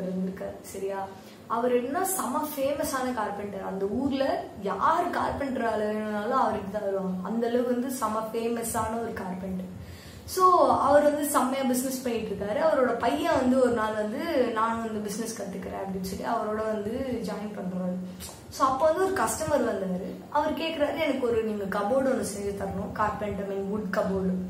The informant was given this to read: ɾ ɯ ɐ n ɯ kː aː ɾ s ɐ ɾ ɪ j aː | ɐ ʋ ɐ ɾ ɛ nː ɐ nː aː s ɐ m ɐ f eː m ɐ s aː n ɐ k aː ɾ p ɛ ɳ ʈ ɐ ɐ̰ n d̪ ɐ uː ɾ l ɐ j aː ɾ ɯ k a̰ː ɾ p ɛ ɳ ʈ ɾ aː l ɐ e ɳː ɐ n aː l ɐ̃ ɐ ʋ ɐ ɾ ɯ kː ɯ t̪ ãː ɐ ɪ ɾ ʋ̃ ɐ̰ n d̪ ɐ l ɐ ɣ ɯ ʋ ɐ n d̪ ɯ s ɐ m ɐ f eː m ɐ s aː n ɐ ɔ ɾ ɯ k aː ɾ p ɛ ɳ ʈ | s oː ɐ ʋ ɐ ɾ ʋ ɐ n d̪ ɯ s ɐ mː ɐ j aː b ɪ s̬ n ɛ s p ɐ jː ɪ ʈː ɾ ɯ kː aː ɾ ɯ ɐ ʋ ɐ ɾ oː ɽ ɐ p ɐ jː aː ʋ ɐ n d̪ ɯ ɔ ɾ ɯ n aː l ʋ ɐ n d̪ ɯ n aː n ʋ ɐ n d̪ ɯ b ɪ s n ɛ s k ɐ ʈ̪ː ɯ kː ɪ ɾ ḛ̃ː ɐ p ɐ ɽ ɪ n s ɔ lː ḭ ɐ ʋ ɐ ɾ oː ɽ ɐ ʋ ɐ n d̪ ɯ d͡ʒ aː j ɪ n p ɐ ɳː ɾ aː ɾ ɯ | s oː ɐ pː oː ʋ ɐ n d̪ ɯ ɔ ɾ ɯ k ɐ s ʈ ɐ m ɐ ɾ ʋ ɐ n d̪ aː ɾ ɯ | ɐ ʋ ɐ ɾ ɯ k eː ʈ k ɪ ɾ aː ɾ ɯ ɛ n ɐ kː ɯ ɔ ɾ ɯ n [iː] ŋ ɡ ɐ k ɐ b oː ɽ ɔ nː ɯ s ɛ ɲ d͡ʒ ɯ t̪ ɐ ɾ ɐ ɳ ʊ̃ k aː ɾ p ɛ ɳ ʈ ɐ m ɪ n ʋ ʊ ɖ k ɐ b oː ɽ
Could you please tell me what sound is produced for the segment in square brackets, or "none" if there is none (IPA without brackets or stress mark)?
iː